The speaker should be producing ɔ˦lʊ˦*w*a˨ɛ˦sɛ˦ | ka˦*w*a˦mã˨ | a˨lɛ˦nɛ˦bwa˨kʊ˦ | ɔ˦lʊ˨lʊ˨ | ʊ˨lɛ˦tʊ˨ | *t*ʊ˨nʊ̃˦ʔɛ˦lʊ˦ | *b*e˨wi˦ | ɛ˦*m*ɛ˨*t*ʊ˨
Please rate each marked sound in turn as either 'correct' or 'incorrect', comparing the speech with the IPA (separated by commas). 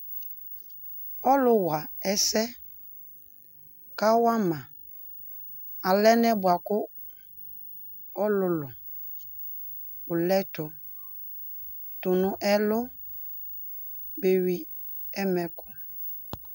correct, correct, correct, correct, correct, incorrect